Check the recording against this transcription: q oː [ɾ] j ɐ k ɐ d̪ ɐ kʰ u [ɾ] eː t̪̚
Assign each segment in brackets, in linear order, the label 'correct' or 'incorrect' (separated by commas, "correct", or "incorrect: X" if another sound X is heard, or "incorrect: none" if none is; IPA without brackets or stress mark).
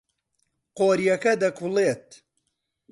correct, incorrect: l